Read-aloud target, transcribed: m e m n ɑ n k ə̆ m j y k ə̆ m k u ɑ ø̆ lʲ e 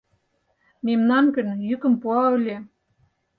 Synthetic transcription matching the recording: m e m n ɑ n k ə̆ n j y k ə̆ m p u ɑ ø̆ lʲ e

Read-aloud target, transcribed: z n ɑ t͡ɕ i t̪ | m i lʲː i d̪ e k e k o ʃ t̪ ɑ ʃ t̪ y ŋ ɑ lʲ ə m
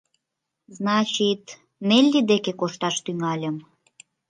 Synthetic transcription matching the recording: z n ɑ t͡ɕ i t̪ | m e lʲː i d̪ e k e k o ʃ t̪ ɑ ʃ t̪ y ŋ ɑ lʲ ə m

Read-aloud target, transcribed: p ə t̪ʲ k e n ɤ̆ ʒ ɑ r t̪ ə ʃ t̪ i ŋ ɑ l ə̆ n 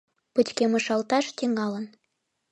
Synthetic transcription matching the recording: p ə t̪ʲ k e m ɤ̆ ʃ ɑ l t̪ ɑ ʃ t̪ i ŋ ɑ l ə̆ n

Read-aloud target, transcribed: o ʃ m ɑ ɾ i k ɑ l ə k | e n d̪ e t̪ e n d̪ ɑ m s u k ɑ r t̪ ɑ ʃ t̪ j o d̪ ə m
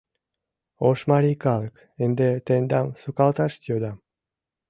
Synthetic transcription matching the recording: o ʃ m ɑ ɾ i k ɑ l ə k | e n d̪ e t̪ e n d̪ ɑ m s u k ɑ l t̪ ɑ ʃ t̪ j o d̪ ɑ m

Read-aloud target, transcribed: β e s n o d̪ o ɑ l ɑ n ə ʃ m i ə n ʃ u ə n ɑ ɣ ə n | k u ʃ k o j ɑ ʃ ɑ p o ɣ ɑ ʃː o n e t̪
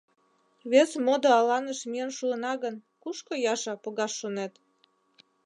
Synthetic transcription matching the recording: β e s m o d̪ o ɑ l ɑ n ə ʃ m i ə n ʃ u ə n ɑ ɣ ə n | k u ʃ k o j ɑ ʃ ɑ p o ɣ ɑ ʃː o n e t̪

